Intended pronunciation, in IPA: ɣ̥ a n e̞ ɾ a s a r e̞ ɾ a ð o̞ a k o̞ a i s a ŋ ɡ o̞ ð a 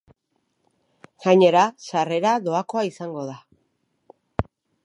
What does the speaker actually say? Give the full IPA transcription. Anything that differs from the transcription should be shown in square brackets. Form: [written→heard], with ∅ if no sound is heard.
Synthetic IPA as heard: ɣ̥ a [n→ɲ] e̞ ɾ a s a r e̞ ɾ a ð o̞ a k o̞ a i s a ŋ ɡ o̞ ð a